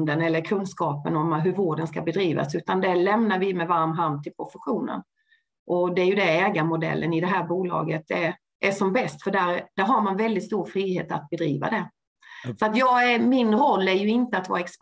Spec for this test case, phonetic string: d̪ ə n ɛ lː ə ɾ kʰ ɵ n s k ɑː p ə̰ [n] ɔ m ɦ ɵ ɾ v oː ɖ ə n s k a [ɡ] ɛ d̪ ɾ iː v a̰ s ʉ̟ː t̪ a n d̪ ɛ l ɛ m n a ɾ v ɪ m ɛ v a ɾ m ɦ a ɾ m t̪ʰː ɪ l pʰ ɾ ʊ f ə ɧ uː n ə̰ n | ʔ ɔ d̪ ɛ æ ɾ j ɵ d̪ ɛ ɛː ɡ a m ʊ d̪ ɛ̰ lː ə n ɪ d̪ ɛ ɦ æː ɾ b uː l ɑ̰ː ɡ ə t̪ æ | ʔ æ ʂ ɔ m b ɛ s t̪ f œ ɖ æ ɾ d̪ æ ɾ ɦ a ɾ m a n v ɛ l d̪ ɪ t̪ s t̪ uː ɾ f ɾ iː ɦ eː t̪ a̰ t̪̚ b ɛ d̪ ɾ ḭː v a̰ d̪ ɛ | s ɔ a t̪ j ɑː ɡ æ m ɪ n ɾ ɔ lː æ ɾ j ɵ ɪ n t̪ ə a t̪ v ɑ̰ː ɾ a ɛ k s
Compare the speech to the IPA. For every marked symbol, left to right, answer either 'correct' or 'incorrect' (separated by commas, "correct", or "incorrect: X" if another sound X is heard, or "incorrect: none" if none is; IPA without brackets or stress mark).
correct, incorrect: b